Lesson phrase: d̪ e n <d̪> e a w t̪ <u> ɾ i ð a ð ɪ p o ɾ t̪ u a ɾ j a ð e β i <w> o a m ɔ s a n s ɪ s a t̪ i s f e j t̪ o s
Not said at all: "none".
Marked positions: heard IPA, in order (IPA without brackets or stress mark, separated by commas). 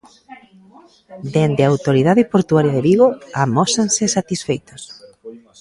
d̪, o, ɣ